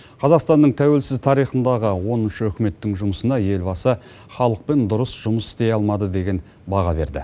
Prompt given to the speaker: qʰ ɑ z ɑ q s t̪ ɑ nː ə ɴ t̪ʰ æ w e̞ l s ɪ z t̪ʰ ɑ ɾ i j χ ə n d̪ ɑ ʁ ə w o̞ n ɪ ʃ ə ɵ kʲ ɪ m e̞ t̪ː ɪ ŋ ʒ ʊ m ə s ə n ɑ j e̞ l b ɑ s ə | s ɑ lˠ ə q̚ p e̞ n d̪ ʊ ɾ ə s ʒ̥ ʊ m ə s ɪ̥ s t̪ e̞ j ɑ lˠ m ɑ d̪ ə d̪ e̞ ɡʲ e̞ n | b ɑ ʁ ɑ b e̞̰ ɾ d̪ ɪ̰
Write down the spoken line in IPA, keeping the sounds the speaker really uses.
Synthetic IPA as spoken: qʰ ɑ z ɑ q s t̪ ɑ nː ə ɴ t̪ʰ æ w e̞ l s ɪ z t̪ʰ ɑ ɾ i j χ ə n d̪ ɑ ʁ ə w o̞ n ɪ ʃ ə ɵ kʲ ɪ m e̞ t̪ː ɪ ŋ ʒ ʊ m ə s ə n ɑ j e̞ l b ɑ s ə | χ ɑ lˠ ə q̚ p e̞ n d̪ ʊ ɾ ə s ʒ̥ ʊ m ə s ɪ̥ s t̪ e̞ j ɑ lˠ m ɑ d̪ ə d̪ e̞ ɡʲ e̞ n | b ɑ ʁ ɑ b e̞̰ ɾ d̪ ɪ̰